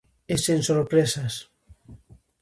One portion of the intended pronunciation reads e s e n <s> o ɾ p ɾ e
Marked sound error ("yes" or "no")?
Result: no